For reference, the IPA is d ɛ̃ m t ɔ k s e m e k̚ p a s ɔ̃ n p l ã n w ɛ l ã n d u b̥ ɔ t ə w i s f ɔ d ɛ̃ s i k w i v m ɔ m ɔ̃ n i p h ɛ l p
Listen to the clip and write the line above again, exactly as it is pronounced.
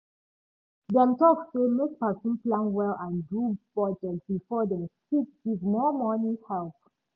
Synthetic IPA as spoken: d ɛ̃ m t ɔ k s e m e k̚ p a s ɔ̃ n p l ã n w ɛ l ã n d u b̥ ɔ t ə b i f ɔ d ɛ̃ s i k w i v m ɔ m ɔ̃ n i h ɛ l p